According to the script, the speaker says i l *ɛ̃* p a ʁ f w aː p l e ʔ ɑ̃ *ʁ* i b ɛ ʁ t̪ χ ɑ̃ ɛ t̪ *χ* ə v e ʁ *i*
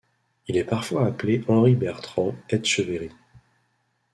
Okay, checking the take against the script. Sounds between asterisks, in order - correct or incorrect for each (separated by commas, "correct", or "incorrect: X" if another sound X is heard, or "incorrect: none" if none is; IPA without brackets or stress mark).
incorrect: ɛ, correct, incorrect: ʃ, correct